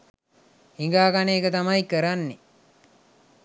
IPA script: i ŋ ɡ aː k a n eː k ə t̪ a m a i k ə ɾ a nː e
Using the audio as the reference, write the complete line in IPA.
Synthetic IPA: i ŋ ɡ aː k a n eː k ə t̪ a m a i k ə ɾ a nː e